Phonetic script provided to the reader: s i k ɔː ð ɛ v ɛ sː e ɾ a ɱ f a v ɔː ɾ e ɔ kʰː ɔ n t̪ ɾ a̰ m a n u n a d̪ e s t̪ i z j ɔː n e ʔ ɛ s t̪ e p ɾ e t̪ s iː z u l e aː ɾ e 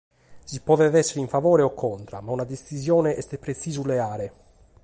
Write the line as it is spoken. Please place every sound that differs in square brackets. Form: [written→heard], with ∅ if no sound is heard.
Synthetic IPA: s i [k→p] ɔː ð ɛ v ɛ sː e ɾ [a→i] ɱ f a v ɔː ɾ e ɔ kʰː ɔ n t̪ ɾ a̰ m a [n→∅] u n a d̪ e s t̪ i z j ɔː n e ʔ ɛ s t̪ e p ɾ e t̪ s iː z u l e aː ɾ e